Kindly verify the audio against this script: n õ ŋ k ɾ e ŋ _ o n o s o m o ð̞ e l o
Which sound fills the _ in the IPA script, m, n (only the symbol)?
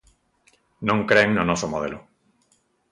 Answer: n